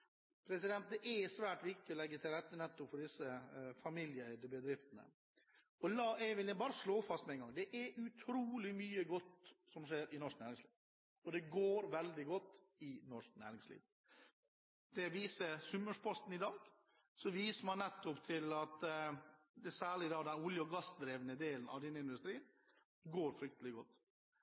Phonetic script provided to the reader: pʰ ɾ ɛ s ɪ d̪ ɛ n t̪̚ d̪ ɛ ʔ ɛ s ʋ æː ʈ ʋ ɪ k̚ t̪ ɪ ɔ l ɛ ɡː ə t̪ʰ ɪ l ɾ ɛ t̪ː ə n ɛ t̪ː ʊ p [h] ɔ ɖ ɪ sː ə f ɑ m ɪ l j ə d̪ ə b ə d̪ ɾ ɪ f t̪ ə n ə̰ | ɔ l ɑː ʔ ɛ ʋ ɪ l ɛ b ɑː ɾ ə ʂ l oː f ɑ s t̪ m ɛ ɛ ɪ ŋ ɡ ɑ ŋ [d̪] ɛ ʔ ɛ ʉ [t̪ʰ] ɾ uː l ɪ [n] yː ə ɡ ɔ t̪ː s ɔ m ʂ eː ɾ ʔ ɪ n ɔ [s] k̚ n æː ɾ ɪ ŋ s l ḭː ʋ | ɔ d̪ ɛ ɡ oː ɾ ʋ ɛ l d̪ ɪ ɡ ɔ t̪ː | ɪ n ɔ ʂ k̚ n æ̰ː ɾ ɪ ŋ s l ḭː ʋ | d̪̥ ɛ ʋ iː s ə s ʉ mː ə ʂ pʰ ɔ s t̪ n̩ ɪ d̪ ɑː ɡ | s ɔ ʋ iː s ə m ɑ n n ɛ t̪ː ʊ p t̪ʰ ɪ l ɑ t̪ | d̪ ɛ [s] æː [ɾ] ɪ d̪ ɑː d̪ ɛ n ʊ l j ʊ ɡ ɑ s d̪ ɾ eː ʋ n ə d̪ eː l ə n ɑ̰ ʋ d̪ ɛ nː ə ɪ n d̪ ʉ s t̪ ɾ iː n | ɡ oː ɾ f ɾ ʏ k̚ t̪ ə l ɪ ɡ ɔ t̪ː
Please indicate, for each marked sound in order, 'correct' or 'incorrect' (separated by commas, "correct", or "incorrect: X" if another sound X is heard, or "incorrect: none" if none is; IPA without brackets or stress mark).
incorrect: f, correct, correct, incorrect: m, incorrect: ʂ, correct, incorrect: ɭ